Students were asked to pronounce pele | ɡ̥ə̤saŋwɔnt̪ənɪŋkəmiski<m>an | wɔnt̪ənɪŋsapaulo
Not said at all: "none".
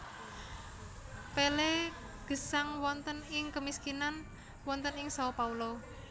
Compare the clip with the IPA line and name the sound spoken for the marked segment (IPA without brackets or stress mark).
n